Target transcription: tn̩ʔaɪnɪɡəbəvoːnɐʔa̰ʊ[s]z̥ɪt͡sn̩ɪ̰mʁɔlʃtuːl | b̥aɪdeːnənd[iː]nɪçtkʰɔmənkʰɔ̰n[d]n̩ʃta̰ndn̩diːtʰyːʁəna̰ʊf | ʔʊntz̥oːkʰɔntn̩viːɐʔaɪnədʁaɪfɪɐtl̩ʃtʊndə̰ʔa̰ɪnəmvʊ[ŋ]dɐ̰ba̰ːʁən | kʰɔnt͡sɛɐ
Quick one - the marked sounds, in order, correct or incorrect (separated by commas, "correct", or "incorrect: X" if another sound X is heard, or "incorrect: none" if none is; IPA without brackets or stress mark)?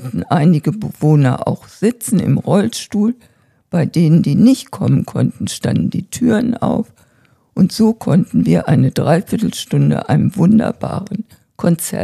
incorrect: x, correct, incorrect: t, incorrect: n